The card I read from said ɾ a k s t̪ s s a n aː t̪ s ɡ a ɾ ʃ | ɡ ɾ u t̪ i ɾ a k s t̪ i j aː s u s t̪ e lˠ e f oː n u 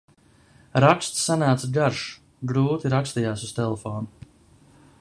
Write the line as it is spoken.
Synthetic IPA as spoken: ɾ a k s t̪ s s a n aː t̪ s ɡ a ɾ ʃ | ɡ ɾ uː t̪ i ɾ a k s t̪ i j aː s u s t̪ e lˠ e f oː n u